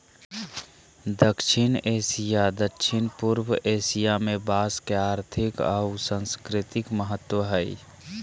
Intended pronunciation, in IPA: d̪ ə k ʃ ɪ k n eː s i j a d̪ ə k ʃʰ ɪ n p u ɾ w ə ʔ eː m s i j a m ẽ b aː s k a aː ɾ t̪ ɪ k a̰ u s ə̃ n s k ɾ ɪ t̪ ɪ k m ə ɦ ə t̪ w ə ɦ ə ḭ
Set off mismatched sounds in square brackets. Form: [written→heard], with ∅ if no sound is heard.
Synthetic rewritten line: d̪ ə k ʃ ɪ [k→∅] n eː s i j a d̪ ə k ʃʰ ɪ n p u ɾ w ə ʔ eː [m→∅] s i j a m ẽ b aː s k [a→e] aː ɾ [t̪→t̪ʰ] ɪ k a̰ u s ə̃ n s k ɾ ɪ t̪ ɪ k m ə ɦ ə t̪ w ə ɦ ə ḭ